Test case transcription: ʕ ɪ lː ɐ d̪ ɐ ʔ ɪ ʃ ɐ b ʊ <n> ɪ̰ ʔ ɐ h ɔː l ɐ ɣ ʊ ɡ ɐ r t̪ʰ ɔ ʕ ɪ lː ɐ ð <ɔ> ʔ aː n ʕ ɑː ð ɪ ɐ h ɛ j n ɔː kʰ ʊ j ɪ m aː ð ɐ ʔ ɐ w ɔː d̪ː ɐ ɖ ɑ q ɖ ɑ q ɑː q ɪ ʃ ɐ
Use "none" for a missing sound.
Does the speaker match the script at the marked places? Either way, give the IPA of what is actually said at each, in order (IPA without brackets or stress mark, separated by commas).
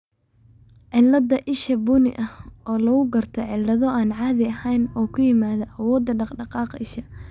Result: n, ɔ